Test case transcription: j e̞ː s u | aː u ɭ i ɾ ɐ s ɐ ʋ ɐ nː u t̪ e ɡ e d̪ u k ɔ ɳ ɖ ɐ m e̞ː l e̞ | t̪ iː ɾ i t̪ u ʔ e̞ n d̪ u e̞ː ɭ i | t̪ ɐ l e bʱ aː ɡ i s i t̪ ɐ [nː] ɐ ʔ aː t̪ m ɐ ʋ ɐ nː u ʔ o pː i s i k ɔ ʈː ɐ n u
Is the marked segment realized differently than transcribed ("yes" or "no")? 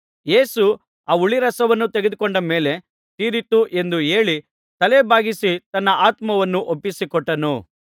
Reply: no